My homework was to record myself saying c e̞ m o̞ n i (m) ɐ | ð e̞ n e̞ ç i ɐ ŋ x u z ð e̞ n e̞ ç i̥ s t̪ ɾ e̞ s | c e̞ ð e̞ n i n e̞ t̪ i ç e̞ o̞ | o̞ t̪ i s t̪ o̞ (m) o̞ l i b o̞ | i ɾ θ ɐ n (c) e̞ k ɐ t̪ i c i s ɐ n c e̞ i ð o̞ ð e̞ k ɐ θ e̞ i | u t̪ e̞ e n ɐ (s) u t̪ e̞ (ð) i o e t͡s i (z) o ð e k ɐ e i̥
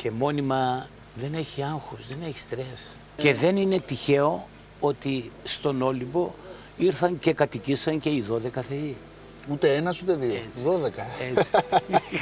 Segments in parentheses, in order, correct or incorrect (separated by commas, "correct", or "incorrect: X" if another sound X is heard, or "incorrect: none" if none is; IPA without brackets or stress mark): correct, incorrect: n, correct, correct, correct, incorrect: ð